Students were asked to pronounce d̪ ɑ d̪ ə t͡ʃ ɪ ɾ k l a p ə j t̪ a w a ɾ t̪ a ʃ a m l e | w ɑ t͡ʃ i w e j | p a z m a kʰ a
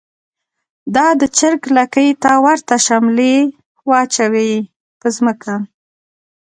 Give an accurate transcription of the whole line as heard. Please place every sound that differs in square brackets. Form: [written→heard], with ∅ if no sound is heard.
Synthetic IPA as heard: d̪ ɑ d̪ ə t͡ʃ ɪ ɾ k l a [p→k] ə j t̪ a w a ɾ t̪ a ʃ a m l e | w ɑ t͡ʃ [i→a] w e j | p [a→ə] z m [a→ə] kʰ a